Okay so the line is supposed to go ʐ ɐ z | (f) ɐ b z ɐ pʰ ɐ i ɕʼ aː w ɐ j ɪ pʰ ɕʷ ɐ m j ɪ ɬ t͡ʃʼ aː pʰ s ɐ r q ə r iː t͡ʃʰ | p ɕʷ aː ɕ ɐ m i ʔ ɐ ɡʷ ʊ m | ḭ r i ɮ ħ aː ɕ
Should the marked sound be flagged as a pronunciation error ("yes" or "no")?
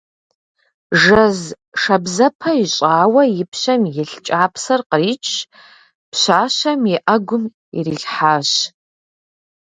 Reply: yes